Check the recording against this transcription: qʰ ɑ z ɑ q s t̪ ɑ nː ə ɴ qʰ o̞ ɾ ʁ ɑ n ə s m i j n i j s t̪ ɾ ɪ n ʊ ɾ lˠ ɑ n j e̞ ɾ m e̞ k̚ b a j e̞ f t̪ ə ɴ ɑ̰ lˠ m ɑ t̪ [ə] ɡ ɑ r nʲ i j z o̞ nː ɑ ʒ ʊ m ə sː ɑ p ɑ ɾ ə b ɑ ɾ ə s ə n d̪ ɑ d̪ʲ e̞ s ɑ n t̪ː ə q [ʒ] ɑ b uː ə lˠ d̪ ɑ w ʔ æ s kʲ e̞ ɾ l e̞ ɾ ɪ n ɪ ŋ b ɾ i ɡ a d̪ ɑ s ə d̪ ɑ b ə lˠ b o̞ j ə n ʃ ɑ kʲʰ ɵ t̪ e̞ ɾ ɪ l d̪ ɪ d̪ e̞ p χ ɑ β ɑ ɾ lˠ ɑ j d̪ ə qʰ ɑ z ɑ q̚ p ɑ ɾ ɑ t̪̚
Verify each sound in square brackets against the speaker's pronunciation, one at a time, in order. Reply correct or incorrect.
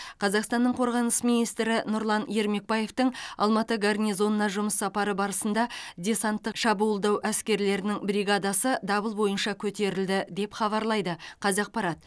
correct, incorrect: ʃ

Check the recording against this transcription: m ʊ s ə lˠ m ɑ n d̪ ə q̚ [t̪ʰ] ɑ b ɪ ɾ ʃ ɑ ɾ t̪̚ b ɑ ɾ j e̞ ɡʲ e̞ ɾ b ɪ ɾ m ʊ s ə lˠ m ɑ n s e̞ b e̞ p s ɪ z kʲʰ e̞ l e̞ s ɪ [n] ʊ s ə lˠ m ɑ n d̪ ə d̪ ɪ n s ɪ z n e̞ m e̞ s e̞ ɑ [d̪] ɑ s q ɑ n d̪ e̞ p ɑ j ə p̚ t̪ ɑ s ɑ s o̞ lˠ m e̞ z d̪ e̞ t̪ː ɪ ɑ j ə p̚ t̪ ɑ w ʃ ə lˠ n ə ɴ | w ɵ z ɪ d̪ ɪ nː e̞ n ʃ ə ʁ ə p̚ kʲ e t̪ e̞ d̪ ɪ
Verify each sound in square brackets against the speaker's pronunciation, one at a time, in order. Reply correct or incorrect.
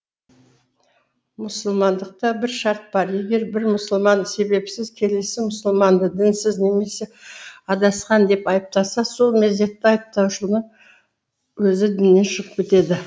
incorrect: t̪, incorrect: m, correct

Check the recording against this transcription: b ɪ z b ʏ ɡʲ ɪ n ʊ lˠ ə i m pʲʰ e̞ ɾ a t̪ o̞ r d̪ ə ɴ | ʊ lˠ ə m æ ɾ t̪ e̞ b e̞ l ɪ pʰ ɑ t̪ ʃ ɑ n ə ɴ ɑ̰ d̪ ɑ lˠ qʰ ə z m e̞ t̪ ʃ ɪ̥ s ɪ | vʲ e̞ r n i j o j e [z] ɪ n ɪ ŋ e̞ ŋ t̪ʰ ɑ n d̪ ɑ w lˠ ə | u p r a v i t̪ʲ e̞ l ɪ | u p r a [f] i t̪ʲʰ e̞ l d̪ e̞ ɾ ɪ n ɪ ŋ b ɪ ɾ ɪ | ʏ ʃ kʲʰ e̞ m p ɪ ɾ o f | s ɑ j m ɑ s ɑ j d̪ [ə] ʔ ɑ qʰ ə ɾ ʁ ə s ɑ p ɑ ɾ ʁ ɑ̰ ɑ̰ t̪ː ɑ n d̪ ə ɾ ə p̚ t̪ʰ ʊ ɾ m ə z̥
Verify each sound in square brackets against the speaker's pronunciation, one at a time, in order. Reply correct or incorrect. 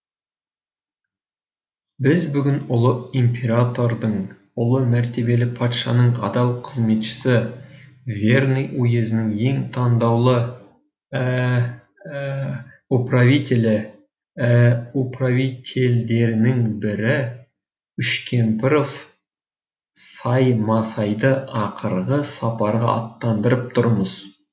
correct, incorrect: v, correct

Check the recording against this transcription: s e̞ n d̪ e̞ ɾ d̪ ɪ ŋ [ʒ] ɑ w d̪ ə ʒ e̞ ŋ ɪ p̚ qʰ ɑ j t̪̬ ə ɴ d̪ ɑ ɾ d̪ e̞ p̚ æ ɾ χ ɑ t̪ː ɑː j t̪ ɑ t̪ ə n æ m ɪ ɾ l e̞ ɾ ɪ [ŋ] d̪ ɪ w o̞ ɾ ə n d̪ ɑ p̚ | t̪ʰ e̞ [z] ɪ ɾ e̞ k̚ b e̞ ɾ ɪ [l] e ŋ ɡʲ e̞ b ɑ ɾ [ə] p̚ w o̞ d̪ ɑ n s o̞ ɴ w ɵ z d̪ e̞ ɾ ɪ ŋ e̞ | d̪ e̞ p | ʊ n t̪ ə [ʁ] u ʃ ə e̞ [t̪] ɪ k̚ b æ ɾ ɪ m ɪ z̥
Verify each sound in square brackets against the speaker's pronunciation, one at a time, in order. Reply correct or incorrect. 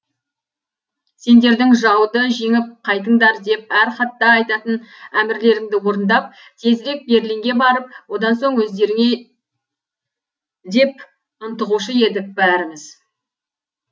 correct, correct, correct, correct, correct, correct, incorrect: d̪

